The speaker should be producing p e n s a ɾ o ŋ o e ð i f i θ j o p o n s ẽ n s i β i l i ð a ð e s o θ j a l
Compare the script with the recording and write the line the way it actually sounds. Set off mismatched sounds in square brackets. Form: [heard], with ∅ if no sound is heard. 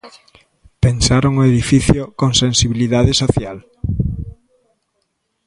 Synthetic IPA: p e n s a ɾ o ŋ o e ð i f i θ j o [k] o [ŋ] s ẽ n s i β i l i ð a ð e s o θ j a l